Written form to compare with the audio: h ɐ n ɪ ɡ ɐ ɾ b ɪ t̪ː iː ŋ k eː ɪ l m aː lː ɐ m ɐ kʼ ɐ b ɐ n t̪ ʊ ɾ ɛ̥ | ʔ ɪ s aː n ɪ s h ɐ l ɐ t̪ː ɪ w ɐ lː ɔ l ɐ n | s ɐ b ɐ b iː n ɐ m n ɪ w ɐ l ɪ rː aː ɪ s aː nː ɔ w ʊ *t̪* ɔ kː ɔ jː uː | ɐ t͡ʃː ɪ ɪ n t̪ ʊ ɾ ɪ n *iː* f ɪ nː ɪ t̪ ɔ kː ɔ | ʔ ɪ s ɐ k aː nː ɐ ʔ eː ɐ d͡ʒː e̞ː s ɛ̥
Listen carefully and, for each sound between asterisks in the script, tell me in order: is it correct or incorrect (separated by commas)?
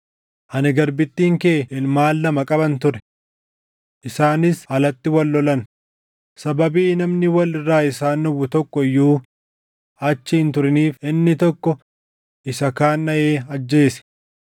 correct, correct